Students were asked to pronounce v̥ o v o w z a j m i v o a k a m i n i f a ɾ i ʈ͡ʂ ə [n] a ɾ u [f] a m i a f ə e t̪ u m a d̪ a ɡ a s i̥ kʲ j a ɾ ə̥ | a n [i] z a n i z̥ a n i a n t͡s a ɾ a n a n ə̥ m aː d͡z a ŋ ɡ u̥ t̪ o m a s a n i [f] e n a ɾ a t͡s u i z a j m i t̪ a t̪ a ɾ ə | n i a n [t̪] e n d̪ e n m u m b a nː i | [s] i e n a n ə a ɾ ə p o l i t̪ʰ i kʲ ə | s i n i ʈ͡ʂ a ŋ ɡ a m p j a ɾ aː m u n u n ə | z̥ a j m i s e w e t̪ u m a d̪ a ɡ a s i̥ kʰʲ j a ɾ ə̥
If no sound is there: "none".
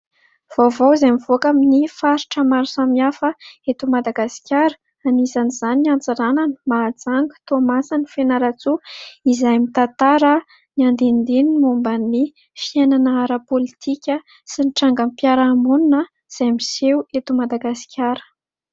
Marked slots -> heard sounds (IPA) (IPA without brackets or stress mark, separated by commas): m, s, i, f, d̪, f